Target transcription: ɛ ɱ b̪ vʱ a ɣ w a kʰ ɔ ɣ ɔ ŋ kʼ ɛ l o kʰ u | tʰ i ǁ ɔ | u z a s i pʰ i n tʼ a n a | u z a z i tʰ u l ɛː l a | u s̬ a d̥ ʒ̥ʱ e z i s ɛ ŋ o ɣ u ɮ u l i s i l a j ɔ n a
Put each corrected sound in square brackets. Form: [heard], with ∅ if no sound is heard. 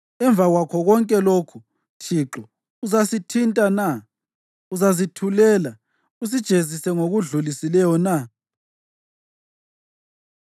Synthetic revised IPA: ɛ ɱ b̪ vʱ a ɣ w a kʰ ɔ ɣ ɔ ŋ kʼ ɛ l o kʰ u | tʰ i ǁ ɔ | u z a s i [tʰ] i n tʼ a n a | u z a z i tʰ u l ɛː l a | u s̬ [i] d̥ ʒ̥ʱ e z i s ɛ ŋ o ɣ u ɮ u l i s i l [ɛ] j ɔ n a